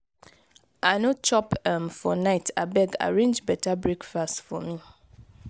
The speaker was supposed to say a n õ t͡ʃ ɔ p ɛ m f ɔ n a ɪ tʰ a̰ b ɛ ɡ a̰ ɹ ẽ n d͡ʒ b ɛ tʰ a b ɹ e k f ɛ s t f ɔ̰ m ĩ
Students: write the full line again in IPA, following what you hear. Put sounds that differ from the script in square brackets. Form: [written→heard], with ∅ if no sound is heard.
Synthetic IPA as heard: a n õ t͡ʃ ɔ p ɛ m f ɔ n a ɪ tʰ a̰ b ɛ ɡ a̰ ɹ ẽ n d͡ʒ b ɛ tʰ a b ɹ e k f [ɛ→a] s t f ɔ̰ m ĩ